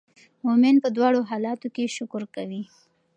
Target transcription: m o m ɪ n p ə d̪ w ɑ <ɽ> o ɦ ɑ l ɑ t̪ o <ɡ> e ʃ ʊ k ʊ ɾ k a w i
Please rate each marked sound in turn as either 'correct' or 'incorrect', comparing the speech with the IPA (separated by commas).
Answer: correct, incorrect